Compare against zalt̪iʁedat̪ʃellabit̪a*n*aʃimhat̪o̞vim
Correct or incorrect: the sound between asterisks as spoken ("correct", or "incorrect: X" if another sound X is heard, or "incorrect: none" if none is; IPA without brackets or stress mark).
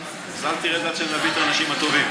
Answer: correct